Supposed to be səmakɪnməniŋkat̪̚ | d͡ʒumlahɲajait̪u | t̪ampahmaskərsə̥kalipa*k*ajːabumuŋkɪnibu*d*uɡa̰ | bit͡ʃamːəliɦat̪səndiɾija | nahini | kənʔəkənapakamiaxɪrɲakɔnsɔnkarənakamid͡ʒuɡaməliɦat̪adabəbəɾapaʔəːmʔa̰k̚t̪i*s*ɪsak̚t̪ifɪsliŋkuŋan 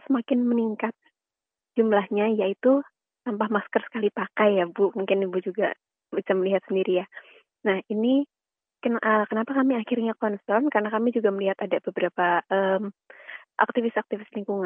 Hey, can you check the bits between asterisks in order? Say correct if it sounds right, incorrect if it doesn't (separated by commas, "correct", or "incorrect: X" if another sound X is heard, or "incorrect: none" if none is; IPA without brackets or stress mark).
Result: correct, incorrect: d͡ʒ, incorrect: f